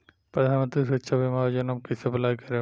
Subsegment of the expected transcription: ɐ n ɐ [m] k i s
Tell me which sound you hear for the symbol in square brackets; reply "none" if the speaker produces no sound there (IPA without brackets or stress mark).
m